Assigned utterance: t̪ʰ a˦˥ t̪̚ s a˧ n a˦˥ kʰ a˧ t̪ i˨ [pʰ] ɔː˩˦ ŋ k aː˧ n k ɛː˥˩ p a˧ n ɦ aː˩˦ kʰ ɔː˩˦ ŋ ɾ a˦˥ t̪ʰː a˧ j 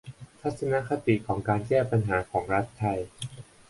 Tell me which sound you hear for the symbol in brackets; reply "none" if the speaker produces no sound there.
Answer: kʰ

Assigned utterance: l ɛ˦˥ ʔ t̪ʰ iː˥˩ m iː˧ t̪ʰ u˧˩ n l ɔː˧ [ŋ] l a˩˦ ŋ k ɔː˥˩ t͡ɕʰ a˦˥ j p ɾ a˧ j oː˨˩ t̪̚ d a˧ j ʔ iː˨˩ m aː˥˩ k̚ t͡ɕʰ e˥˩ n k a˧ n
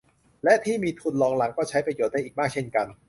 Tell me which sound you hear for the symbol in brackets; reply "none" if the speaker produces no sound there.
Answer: ŋ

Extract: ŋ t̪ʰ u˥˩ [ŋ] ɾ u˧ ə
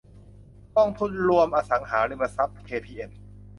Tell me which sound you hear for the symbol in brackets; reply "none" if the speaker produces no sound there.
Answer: n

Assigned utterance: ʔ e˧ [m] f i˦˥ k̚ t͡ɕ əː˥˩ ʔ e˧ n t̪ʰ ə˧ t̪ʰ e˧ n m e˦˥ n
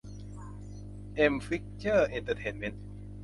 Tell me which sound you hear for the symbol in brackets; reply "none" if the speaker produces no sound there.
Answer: m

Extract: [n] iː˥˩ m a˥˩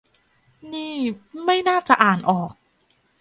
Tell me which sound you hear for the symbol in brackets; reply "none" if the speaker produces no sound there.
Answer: n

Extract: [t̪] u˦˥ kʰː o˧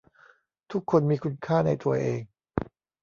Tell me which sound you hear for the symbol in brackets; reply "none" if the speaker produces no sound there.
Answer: t̪ʰ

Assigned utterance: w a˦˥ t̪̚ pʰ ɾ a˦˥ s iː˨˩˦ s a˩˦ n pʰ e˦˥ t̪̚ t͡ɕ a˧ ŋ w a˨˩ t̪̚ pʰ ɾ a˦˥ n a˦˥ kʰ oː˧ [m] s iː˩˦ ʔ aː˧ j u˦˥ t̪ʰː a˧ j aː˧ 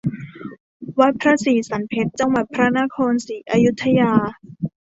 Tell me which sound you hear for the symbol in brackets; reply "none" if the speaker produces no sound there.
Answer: n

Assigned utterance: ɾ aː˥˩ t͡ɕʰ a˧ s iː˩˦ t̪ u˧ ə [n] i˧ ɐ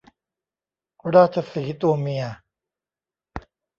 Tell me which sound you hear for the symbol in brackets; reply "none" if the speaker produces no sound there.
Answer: m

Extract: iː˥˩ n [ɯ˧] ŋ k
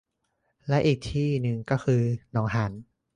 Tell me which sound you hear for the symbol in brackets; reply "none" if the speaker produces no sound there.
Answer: ɯ˧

